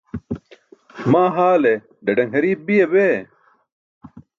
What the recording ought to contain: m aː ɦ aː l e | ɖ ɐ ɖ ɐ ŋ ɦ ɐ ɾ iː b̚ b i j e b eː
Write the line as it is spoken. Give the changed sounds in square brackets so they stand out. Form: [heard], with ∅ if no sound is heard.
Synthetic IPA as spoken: m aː ɦ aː l e | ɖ ɐ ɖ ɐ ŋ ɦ ɐ ɾ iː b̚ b i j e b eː